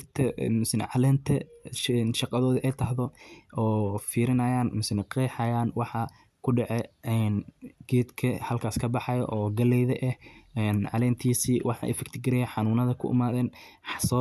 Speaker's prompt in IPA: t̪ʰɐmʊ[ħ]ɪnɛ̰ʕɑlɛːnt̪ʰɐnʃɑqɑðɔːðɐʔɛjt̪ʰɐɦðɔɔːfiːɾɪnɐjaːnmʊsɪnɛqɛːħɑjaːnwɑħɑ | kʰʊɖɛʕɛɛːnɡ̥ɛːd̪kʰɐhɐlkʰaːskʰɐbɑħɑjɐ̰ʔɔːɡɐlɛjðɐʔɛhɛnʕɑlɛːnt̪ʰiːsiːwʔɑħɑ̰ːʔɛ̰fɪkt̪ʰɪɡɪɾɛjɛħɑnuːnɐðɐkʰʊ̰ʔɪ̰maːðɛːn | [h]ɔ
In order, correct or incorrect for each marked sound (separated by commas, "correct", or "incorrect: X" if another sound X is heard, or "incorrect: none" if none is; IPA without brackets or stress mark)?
incorrect: s, incorrect: s